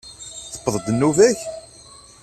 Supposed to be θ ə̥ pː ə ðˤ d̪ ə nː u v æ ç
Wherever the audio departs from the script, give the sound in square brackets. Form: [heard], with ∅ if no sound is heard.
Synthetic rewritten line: θ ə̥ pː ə ðˤ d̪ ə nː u v æ ç